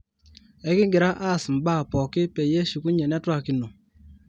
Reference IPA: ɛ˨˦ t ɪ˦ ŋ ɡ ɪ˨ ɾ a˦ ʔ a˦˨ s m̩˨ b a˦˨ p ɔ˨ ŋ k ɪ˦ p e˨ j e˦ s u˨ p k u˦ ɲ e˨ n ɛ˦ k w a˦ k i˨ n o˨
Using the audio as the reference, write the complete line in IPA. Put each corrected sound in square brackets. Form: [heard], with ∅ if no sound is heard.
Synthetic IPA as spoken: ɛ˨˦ [k] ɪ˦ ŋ ɡ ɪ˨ ɾ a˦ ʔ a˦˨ s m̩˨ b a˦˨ p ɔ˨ [∅] k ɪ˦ p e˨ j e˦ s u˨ [∅] k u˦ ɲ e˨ n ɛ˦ [t] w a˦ k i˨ n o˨